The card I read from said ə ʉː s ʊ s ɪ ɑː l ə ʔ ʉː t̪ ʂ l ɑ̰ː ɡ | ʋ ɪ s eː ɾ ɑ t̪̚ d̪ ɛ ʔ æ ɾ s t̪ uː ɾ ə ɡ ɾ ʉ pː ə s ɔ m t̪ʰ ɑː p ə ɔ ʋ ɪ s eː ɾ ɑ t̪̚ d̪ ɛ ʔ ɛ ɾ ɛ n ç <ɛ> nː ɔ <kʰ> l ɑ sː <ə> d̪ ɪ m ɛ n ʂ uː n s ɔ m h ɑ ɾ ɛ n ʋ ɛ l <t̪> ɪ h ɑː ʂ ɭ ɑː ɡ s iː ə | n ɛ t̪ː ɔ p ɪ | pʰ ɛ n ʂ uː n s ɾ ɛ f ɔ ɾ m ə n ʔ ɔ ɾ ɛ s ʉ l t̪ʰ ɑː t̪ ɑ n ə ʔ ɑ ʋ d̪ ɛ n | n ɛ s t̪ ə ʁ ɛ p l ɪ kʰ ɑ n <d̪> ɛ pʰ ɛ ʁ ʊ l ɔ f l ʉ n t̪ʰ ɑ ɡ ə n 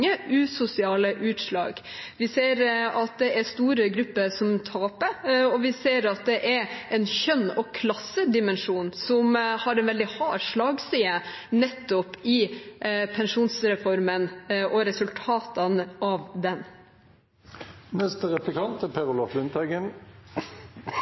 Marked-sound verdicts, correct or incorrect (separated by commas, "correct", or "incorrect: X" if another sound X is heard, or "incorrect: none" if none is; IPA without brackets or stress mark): incorrect: œ, correct, correct, incorrect: d̪, incorrect: t̪